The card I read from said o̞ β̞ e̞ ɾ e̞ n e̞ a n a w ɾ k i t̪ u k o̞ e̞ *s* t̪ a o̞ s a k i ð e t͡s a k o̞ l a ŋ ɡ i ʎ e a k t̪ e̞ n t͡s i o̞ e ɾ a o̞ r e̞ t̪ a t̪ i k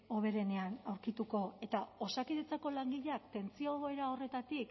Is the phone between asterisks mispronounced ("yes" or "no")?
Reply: yes